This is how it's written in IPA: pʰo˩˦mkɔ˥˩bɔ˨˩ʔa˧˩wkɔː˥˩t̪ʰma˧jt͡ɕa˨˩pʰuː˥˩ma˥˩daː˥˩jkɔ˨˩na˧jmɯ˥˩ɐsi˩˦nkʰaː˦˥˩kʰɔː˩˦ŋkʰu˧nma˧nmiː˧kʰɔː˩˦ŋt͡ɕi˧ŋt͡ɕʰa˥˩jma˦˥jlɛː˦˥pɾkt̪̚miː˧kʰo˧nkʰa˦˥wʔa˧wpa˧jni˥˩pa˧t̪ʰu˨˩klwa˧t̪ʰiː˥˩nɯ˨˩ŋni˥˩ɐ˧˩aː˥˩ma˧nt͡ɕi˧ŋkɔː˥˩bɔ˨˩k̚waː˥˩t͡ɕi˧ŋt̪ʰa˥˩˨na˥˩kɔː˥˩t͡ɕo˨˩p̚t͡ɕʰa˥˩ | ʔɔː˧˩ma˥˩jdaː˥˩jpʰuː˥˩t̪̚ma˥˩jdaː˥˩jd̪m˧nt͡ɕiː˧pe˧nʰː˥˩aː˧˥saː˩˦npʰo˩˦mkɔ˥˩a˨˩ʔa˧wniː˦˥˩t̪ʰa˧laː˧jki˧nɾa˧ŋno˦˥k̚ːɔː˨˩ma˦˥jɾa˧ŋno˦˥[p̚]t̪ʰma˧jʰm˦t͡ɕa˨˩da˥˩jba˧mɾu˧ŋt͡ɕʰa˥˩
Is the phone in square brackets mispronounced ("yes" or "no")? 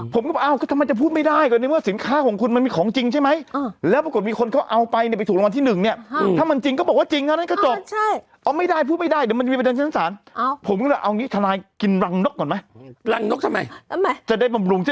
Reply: yes